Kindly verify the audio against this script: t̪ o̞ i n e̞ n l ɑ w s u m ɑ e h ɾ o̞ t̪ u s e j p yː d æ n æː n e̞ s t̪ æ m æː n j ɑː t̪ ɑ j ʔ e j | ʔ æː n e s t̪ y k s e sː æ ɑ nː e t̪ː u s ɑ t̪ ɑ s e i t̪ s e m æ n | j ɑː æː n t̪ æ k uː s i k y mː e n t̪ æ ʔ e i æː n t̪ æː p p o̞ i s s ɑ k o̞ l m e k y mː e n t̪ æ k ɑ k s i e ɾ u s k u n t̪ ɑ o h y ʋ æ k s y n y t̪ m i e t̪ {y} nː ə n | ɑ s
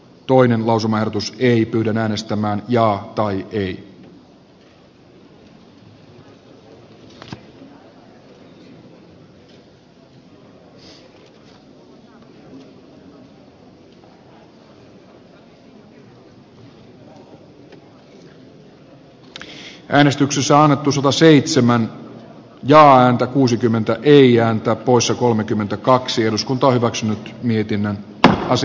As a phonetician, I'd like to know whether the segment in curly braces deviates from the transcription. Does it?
yes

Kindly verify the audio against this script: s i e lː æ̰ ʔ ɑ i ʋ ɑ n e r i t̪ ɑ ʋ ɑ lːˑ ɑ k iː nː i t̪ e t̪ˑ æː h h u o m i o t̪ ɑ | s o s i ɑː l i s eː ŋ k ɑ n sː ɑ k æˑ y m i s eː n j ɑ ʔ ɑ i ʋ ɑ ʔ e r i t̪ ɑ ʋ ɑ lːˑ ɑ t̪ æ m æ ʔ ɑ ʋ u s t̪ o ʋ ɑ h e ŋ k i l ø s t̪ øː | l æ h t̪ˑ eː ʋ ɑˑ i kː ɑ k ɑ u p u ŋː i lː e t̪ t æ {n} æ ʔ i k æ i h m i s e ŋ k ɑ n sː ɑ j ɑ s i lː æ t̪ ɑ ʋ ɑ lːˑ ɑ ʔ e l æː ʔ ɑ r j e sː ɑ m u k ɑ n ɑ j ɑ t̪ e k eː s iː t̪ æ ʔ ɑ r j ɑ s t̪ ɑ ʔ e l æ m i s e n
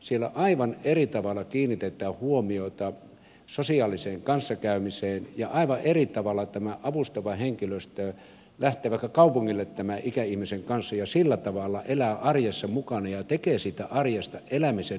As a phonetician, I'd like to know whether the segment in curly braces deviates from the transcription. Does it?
yes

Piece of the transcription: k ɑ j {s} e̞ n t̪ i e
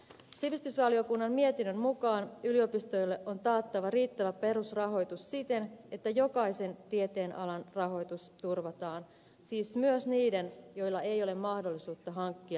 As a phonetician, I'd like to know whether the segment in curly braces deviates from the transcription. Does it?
no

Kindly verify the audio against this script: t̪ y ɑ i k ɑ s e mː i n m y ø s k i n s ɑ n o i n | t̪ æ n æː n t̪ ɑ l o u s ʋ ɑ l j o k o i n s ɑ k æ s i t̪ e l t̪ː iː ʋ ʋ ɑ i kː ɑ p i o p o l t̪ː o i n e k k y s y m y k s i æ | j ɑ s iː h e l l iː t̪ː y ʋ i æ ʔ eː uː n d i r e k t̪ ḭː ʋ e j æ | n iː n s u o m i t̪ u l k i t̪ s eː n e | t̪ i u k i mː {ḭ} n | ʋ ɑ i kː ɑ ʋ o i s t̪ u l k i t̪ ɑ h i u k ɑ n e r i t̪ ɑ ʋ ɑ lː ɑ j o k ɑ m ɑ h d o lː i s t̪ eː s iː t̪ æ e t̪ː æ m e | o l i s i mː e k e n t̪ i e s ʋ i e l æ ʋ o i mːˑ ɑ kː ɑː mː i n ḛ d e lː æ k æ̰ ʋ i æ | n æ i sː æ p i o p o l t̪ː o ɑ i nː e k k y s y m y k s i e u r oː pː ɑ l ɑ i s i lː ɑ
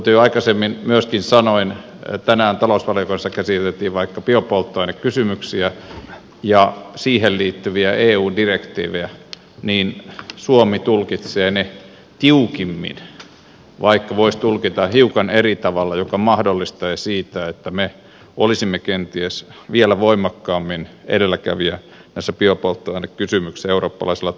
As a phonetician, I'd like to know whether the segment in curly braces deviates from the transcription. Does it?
no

